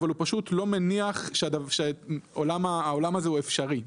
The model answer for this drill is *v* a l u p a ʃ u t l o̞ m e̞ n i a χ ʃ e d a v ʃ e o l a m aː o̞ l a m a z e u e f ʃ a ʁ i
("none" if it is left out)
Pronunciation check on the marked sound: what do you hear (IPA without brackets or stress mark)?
v